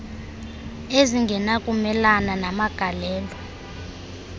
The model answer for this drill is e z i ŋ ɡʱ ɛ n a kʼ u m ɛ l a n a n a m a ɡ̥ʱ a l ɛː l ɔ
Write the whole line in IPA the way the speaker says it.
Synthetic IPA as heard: e z i ŋ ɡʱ ɛ n a kʼ u m ɛ l a n a n a m a ɡ̥ʱ a l ɛː l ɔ